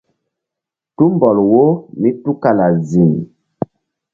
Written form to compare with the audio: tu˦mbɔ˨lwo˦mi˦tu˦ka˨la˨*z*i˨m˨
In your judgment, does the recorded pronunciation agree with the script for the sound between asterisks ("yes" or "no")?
yes